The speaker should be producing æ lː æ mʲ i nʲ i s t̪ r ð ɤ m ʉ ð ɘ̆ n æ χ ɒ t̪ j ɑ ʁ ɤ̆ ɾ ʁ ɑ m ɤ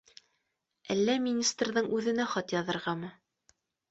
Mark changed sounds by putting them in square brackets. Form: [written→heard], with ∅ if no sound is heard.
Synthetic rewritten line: æ lː æ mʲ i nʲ i s t̪ r ð ɤ [m→ɴ] ʉ ð ɘ̆ n æ χ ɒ t̪ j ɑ [ʁ→ð] ɤ̆ ɾ ʁ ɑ m ɤ